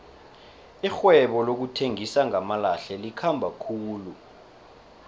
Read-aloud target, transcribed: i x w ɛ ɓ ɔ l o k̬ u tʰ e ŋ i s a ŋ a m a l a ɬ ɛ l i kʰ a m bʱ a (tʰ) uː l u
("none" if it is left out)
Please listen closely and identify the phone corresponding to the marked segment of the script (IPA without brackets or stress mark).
kʰ